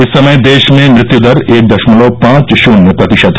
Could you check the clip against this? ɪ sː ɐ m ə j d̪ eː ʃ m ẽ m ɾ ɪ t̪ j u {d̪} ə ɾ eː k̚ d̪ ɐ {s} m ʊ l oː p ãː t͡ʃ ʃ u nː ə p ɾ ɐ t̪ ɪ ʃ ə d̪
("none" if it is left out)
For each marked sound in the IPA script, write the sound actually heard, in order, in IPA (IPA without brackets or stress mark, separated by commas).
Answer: d̪, ʃ